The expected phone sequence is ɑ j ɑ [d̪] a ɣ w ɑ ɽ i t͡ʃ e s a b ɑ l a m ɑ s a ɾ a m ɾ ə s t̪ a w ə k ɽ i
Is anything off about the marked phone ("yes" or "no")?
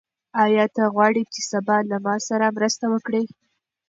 yes